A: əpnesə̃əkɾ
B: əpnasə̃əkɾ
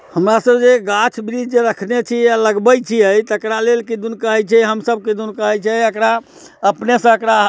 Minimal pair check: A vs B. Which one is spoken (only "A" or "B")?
A